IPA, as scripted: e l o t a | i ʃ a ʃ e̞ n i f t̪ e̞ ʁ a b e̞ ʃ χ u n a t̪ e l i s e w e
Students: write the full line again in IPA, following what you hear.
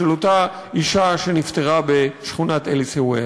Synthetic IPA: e l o t a | i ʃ a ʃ e̞ n i f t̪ e̞ ʁ a b e̞ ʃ χ u n a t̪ e l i s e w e